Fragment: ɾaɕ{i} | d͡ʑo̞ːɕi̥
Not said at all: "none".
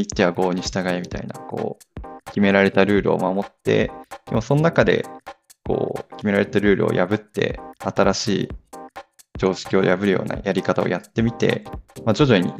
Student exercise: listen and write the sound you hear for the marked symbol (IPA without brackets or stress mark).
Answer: iː